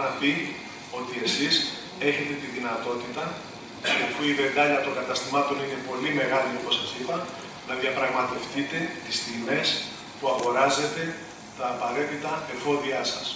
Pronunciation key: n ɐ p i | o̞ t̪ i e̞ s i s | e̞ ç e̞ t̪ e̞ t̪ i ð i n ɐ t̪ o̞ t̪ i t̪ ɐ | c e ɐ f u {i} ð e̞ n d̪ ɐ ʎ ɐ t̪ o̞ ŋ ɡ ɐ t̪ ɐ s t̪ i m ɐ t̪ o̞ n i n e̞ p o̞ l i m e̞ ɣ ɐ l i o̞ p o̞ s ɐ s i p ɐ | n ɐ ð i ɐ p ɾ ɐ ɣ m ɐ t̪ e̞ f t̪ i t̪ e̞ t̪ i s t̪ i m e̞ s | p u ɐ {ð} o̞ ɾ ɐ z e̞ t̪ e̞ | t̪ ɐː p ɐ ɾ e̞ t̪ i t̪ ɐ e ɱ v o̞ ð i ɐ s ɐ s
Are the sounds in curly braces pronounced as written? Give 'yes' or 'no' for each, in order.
yes, no

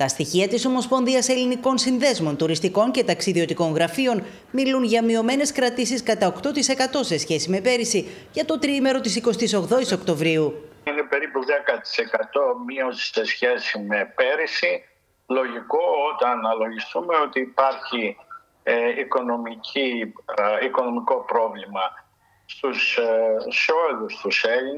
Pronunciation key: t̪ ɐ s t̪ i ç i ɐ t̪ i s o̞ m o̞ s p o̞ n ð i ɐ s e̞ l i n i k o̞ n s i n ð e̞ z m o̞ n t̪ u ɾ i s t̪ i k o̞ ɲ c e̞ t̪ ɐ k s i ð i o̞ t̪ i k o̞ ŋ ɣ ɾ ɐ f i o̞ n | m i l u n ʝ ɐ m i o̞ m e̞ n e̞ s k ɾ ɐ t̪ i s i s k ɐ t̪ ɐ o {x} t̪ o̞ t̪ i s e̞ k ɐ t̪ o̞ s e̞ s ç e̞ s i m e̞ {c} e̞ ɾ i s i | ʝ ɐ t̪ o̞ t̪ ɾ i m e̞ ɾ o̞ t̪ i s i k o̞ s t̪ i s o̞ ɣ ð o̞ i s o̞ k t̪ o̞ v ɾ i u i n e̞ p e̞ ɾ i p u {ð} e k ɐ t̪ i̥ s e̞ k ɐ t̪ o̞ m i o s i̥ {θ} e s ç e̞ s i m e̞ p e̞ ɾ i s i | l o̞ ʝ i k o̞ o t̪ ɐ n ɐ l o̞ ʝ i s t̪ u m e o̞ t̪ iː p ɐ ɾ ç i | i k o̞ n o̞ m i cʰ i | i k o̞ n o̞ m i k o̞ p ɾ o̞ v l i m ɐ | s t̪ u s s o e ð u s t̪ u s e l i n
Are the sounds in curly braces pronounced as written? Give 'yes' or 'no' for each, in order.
no, no, yes, no

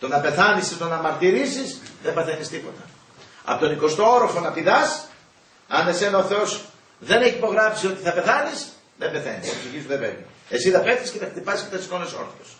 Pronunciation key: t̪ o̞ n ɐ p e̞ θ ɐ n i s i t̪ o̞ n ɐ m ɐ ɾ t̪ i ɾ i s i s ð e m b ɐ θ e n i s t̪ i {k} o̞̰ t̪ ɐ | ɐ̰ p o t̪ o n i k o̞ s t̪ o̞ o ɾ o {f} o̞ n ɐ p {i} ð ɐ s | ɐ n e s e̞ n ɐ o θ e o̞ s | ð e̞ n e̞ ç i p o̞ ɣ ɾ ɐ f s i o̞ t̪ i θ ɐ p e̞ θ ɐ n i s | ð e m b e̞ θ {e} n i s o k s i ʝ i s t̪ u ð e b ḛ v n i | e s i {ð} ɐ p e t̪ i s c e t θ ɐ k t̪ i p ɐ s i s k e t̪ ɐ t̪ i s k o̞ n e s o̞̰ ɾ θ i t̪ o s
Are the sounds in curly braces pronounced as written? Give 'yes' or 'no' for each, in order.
no, yes, yes, yes, yes

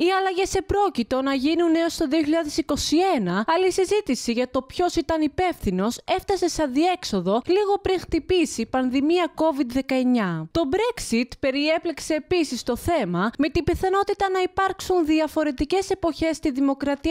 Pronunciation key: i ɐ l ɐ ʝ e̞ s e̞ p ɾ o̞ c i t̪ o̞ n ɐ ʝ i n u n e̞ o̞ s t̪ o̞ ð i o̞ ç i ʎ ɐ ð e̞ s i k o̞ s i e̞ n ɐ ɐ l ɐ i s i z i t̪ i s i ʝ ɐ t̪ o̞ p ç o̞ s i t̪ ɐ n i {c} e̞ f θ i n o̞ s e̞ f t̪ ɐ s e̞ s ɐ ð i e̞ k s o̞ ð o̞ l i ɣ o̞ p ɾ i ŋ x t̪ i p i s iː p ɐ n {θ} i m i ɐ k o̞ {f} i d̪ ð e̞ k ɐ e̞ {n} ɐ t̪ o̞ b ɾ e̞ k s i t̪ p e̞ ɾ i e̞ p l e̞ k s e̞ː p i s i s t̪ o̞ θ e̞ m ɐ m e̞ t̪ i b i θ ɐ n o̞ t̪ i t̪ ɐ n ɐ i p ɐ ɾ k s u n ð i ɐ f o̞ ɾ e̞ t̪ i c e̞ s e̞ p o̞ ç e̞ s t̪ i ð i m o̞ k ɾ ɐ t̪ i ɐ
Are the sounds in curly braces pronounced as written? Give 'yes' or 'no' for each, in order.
no, no, no, no

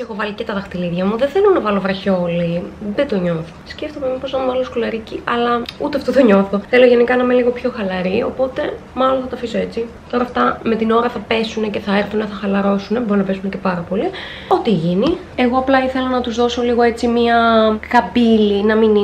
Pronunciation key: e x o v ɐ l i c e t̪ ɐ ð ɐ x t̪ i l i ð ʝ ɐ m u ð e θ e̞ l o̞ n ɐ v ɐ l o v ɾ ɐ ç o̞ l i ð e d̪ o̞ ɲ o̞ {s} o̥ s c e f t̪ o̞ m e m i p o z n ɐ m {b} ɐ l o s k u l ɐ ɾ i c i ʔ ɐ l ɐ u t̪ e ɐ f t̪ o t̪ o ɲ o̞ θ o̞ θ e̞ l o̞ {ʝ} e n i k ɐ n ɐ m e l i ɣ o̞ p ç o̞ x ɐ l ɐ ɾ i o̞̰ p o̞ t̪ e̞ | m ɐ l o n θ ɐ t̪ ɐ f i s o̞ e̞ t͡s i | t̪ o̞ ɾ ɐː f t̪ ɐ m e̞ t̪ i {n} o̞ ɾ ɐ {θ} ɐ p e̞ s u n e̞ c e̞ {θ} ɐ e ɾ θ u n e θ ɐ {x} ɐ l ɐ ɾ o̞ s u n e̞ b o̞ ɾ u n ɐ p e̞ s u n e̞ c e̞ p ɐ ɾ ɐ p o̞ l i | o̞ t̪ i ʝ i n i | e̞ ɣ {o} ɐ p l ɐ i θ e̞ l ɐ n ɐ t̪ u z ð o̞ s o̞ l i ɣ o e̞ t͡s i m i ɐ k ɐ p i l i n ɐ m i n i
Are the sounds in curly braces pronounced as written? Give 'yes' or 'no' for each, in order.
no, no, yes, yes, yes, yes, yes, yes

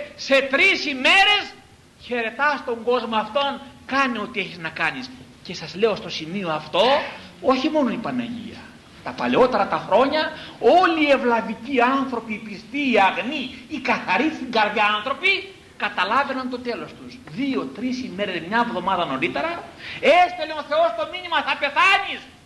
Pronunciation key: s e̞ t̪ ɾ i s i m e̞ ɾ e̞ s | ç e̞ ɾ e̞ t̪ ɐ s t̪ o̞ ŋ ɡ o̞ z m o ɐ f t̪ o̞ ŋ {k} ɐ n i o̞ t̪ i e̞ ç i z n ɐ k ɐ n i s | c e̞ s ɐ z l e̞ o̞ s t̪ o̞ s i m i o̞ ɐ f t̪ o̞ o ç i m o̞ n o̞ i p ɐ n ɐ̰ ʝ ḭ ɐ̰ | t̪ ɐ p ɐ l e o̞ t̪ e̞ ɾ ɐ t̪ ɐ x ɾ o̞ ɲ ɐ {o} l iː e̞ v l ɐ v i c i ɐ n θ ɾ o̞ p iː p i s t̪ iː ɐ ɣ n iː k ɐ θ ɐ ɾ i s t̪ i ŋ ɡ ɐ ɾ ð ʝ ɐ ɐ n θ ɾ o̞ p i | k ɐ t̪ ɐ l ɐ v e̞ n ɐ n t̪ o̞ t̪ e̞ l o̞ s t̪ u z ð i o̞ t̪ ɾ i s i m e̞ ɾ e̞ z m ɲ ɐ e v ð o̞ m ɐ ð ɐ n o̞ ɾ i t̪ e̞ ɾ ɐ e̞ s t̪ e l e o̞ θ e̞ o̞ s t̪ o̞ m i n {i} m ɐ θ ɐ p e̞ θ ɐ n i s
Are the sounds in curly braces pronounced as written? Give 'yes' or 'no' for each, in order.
yes, yes, yes

